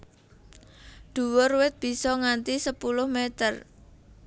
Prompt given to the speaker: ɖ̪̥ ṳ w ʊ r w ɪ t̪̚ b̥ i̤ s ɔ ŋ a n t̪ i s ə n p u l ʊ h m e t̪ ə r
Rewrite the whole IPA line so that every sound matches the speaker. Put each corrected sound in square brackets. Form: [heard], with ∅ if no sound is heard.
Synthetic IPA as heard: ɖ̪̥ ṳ w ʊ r w ɪ t̪̚ b̥ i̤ s ɔ ŋ a n t̪ i s ə [∅] p u l ʊ h m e t̪ ə r

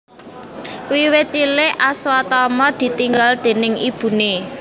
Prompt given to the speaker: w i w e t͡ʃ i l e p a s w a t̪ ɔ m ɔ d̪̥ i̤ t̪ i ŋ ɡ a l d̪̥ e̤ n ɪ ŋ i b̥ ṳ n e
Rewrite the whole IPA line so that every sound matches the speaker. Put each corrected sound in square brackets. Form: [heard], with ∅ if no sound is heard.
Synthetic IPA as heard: w i w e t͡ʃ i l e [ʔ] a s w a t̪ ɔ m ɔ d̪̥ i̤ t̪ i ŋ ɡ a l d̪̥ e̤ n ɪ ŋ i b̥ ṳ n e

